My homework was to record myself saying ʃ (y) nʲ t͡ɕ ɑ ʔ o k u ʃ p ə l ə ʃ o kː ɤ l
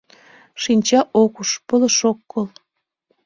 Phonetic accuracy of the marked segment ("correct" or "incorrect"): incorrect